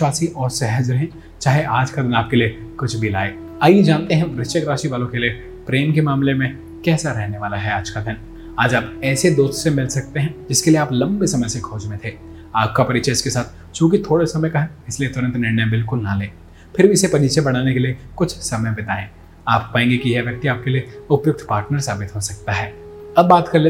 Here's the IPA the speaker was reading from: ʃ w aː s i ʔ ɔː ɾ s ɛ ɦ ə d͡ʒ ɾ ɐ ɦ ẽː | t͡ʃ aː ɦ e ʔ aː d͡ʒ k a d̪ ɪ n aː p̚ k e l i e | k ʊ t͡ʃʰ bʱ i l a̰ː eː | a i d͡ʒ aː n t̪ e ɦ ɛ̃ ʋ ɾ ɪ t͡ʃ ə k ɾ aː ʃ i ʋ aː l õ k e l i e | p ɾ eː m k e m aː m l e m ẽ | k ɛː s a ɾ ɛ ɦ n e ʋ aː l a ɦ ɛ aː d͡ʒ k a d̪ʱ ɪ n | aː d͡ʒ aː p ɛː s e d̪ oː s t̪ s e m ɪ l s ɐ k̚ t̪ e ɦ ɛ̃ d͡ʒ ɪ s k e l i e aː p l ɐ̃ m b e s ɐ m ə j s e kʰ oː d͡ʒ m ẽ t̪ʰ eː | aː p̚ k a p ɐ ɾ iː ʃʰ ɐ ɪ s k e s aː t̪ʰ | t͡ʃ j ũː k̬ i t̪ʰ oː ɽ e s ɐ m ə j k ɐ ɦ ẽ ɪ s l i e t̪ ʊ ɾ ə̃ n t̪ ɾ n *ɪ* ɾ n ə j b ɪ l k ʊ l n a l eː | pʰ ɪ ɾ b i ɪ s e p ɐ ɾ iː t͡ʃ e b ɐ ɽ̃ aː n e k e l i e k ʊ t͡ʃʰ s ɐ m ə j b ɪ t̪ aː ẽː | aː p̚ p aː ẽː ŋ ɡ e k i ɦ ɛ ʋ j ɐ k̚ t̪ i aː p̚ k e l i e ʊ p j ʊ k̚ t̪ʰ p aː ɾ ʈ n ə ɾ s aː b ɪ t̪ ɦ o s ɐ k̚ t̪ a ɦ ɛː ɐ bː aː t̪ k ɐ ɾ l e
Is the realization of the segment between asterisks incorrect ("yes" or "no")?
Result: no